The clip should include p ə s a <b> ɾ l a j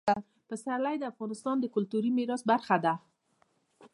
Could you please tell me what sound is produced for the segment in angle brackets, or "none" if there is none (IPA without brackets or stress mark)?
none